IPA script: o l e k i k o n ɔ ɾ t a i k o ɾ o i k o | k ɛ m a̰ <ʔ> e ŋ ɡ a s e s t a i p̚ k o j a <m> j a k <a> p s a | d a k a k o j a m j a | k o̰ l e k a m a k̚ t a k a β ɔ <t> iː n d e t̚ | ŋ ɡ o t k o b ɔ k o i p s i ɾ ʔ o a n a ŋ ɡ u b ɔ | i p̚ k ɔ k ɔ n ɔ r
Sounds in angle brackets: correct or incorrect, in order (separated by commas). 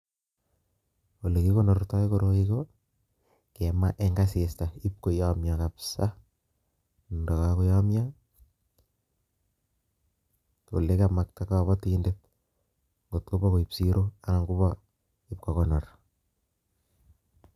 correct, correct, correct, correct